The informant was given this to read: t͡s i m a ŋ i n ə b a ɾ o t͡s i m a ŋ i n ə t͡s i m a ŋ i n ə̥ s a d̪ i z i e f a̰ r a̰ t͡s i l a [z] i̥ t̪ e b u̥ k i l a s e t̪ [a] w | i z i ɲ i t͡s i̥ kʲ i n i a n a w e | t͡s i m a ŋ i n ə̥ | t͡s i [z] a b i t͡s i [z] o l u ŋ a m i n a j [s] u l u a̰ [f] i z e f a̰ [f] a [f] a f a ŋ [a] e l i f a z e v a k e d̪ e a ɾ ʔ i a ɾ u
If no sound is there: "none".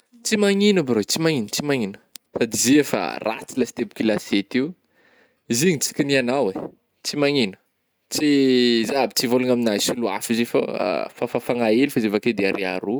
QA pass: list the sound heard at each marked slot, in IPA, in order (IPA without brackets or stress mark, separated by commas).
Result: s, i, z, v, s, f, f, f, a